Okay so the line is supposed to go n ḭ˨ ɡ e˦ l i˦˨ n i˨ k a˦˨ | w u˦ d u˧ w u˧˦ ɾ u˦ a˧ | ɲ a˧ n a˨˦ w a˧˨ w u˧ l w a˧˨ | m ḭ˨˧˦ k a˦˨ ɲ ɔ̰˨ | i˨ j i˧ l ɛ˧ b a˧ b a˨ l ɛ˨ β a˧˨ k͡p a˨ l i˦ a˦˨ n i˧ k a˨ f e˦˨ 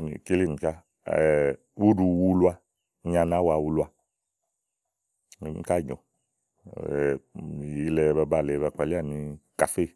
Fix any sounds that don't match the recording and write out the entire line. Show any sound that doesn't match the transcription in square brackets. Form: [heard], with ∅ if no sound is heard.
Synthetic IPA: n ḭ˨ [k] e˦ l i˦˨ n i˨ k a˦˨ | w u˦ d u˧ w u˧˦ [l] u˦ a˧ | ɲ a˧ n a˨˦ w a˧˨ w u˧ l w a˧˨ | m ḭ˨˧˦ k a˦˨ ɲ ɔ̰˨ | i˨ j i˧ l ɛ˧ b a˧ b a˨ l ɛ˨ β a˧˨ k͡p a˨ l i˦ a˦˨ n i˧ k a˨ f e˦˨